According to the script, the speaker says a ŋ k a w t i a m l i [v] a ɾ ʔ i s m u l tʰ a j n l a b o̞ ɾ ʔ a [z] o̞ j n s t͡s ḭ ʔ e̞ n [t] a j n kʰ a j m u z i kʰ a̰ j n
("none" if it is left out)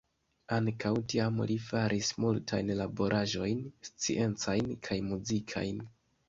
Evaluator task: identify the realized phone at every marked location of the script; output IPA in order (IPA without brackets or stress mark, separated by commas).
f, ʒ, t͡s